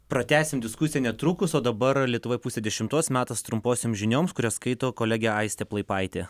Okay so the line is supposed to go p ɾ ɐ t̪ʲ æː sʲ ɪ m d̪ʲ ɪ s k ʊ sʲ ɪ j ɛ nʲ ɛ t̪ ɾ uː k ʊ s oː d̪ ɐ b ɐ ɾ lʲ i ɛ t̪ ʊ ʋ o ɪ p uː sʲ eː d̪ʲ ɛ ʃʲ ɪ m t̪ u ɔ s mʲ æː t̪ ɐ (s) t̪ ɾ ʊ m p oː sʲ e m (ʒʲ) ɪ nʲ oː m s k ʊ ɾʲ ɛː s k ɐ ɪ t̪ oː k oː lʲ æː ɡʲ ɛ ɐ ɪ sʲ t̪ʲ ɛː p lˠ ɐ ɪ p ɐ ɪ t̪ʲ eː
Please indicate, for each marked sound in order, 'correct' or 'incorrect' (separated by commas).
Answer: correct, correct